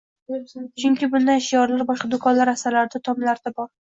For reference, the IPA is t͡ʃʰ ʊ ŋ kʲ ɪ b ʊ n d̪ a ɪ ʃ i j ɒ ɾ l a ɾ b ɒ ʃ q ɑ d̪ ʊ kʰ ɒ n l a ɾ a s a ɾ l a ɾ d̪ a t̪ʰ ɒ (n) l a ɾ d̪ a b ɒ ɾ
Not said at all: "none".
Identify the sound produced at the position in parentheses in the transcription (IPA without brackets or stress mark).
m